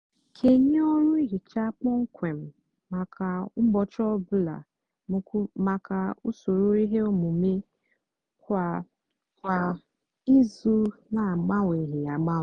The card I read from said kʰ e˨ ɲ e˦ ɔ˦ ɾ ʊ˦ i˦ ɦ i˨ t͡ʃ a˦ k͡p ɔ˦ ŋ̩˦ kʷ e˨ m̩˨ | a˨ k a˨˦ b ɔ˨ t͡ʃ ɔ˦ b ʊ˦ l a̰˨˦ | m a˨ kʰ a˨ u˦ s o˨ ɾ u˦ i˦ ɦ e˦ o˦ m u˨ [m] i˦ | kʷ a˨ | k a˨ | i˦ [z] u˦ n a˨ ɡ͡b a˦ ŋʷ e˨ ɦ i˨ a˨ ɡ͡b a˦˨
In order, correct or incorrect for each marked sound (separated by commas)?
correct, correct